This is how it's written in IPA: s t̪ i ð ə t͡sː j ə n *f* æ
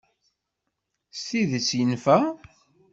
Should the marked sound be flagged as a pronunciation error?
no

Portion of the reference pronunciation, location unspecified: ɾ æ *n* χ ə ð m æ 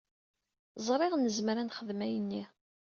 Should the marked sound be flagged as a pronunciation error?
no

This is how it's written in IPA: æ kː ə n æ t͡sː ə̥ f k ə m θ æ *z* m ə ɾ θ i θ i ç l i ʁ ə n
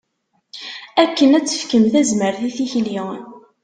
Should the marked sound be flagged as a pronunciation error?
no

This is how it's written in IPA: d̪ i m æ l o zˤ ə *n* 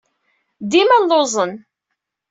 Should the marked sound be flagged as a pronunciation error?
no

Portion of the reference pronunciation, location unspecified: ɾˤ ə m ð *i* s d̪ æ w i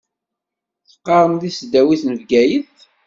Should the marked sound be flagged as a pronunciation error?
no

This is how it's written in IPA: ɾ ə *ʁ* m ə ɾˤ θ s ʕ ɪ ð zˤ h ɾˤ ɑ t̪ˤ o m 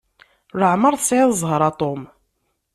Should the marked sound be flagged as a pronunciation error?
yes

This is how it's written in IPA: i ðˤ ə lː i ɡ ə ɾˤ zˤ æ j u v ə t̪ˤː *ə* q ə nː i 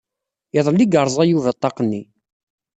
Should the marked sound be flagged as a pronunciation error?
yes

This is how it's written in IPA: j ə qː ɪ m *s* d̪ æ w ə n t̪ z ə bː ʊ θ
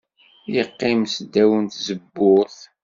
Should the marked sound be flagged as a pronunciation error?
no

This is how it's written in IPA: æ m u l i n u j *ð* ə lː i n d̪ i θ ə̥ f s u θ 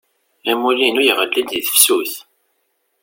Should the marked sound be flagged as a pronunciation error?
yes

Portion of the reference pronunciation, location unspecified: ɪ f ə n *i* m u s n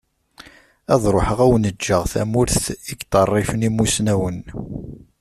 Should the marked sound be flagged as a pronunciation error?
no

